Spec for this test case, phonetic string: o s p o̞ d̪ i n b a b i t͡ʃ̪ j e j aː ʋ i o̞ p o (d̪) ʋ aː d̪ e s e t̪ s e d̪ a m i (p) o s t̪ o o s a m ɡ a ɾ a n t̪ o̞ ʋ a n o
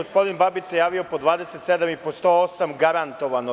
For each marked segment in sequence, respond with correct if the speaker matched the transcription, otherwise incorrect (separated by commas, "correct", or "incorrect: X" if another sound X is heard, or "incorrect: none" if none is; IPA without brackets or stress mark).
correct, correct